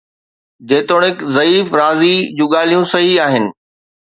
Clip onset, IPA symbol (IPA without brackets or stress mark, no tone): d͡ʑ